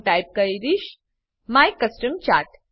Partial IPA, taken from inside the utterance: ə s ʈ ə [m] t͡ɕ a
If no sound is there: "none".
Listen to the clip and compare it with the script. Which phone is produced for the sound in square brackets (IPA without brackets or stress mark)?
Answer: m